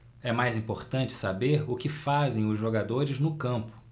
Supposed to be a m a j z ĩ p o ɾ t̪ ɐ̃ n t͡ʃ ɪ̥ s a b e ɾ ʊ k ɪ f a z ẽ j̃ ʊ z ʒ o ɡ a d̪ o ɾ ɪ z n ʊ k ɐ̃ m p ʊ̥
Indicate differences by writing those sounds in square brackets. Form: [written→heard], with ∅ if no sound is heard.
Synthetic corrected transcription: [a→ɛ] m a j z ĩ p o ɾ t̪ ɐ̃ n t͡ʃ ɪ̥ s a b e ɾ ʊ k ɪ f a z ẽ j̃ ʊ z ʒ o ɡ a d̪ o ɾ ɪ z n ʊ k ɐ̃ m p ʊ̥

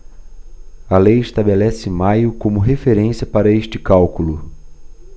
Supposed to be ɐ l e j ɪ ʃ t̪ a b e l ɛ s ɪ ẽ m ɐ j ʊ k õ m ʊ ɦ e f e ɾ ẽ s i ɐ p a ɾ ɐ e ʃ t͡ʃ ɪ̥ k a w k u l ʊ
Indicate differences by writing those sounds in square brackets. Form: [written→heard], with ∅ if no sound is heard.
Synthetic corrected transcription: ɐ l e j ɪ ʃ t̪ a b e l ɛ s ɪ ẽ m [ɐ→a] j ʊ k õ m ʊ ɦ e f e ɾ ẽ s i ɐ p a ɾ ɐ e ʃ t͡ʃ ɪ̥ k a w k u l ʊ

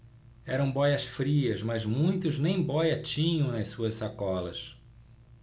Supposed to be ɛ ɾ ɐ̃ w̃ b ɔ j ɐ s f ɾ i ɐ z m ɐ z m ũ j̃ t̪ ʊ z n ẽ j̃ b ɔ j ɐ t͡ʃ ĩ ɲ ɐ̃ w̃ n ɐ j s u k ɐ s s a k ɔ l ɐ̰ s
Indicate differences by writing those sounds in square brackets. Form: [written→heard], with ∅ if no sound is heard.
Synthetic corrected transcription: ɛ ɾ ɐ̃ w̃ b ɔ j ɐ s f ɾ i ɐ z m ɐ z m ũ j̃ t̪ ʊ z n ẽ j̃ b ɔ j ɐ t͡ʃ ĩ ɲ ɐ̃ w̃ n ɐ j s u [k→∅] ɐ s s a k ɔ l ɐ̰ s

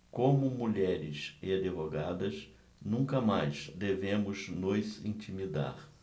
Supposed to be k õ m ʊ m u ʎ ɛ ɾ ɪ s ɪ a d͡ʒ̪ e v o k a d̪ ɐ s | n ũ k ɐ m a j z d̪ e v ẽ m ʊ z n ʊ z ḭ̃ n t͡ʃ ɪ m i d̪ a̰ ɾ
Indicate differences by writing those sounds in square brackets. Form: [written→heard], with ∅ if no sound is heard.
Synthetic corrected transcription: k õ m ʊ m u ʎ ɛ ɾ ɪ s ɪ a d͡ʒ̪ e v o [k→ɡ] a d̪ ɐ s | n ũ k ɐ m a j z d̪ e v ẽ m ʊ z n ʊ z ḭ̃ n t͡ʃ [ɪ→i] m i d̪ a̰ ɾ

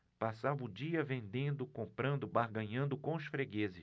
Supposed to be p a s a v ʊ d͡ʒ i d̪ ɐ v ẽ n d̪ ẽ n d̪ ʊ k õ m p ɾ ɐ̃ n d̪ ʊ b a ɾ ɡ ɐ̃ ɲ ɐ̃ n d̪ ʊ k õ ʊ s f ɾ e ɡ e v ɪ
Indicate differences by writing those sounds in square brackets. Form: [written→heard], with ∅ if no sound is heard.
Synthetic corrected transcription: p a s a v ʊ d͡ʒ i [d̪→∅] ɐ v ẽ n d̪ ẽ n d̪ ʊ k õ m p ɾ ɐ̃ n d̪ ʊ b a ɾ ɡ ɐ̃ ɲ ɐ̃ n d̪ ʊ k õ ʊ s f ɾ e ɡ e [v→z] ɪ

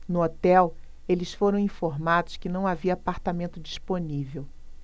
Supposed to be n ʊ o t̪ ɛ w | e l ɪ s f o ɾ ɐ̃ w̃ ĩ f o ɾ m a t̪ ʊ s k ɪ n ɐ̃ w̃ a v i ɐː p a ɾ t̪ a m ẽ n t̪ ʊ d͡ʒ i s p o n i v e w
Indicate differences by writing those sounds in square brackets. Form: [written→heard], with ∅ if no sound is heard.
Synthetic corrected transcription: n ʊ o t̪ ɛ w | e l ɪ s f o ɾ ɐ̃ w̃ ĩ f o ɾ m a [t̪→d̪] ʊ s k ɪ n ɐ̃ w̃ a v i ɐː p a ɾ t̪ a m ẽ n t̪ ʊ d͡ʒ i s p o n i v e w

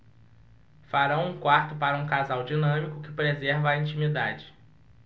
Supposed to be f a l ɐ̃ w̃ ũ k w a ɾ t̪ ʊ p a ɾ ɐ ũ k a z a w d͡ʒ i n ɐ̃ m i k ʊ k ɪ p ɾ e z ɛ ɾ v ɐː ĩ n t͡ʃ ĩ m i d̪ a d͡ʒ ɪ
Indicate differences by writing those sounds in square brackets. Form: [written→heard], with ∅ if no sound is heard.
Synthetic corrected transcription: f a [l→ɾ] ɐ̃ w̃ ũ k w a ɾ t̪ ʊ p a ɾ ɐ ũ k a z a w d͡ʒ i n ɐ̃ m i k ʊ k ɪ p ɾ e z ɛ ɾ v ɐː ĩ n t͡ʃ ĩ m i d̪ a d͡ʒ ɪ

